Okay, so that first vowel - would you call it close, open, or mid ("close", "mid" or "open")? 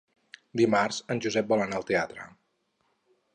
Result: close